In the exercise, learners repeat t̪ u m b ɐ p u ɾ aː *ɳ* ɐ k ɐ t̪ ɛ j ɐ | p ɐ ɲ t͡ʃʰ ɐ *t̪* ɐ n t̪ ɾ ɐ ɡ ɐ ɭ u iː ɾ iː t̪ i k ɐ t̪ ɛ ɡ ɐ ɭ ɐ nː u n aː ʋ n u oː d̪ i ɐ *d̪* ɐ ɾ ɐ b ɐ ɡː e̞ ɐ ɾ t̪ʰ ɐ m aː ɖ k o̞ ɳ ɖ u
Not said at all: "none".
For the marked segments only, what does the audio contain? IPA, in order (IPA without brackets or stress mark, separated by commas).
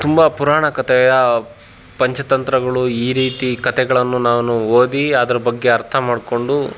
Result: ɳ, t̪, d̪